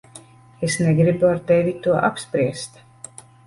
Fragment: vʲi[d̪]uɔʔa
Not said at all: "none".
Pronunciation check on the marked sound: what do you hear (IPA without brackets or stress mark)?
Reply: t̪